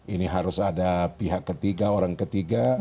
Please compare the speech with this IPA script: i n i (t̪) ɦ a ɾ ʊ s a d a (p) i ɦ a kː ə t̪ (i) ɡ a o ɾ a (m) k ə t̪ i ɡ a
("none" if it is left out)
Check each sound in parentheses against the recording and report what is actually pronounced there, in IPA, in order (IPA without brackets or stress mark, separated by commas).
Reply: none, p, i, ŋ